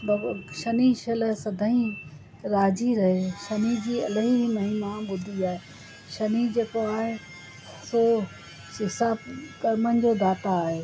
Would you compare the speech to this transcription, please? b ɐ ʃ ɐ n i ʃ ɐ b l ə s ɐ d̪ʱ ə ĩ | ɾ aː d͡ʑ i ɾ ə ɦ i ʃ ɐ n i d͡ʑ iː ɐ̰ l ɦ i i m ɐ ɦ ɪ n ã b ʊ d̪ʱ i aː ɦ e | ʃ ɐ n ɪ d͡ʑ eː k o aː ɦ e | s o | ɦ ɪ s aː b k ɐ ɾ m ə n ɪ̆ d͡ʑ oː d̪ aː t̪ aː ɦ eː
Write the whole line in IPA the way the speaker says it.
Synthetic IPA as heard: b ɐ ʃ ɐ n i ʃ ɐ l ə s ɐ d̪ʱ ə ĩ | ɾ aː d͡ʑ i ɾ ɐ ɦ e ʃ ɐ n i d͡ʑ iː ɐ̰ l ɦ i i m ɐ ɦ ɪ n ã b ʊ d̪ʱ i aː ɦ e | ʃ ɐ n i d͡ʑ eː k o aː ɦ e | s o | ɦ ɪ s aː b k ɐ ɾ m ə n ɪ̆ d͡ʑ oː d̪ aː t̪ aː ɦ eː